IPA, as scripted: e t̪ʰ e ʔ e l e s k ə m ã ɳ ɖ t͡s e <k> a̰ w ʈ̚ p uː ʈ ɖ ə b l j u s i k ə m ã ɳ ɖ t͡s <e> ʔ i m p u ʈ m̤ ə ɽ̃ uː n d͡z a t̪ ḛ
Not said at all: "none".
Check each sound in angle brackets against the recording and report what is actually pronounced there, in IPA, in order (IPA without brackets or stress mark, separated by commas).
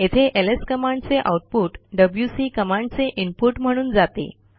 ʔ, e